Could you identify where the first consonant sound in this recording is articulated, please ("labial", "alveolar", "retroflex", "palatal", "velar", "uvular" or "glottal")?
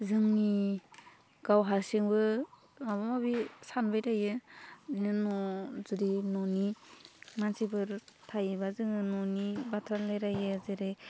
alveolar